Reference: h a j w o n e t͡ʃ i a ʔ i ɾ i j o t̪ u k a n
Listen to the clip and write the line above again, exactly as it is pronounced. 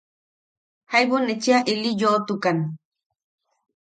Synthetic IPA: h a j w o n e t͡ʃ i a ʔ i l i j o t̪ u k a n